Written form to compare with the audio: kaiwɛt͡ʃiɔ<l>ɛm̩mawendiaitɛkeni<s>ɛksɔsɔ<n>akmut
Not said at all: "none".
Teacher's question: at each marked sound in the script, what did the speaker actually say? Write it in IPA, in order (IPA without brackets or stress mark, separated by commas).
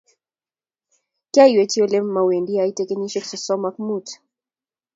l, ʃ, m